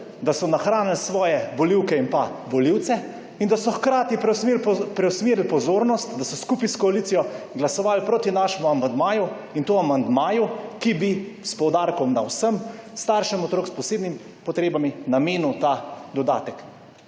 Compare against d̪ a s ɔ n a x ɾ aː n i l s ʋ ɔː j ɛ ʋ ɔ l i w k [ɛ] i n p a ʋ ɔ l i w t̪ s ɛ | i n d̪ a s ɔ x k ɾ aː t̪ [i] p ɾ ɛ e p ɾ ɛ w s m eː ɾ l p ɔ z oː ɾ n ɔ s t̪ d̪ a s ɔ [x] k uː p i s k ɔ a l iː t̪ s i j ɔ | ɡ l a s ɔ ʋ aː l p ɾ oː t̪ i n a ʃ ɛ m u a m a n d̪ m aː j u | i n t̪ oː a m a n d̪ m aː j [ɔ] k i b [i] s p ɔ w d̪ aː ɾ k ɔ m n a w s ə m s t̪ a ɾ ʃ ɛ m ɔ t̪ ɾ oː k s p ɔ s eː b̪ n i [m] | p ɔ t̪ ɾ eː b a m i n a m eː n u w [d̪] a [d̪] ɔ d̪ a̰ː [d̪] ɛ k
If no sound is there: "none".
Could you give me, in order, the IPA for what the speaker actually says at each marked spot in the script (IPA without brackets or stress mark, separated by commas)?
ɛ, i, s, u, i, m, t̪, d̪, t̪